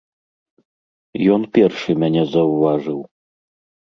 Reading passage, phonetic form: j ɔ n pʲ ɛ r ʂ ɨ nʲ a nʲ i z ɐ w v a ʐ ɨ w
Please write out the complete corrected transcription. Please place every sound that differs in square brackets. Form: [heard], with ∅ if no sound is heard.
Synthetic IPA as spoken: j ɔ n pʲ ɛ r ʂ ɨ [mʲ] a nʲ [ɛ] z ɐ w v a ʐ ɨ w